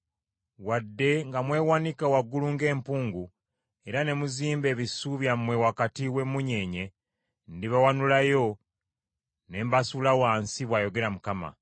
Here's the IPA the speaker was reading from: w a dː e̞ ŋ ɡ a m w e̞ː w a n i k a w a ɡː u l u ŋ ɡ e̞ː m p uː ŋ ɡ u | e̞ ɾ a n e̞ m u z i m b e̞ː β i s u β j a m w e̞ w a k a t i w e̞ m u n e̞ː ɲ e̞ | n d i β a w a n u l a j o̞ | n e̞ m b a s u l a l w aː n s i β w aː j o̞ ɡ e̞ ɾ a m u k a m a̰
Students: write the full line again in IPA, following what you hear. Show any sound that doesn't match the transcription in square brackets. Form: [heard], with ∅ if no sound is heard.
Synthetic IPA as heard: w a dː e̞ ŋ ɡ a m w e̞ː w a n i k a w a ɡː u l u ŋ ɡ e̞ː m p uː ŋ ɡ u | e̞ ɾ a n e̞ m u z [iː] m b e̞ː β i s u β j a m w e̞ w a k a t i w e̞ m u [ɲ] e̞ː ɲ e̞ | n d i β a w a n u l a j o̞ | n e̞ m b a s u l a [∅] w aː n s i β w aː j o̞ ɡ e̞ ɾ a m u k a m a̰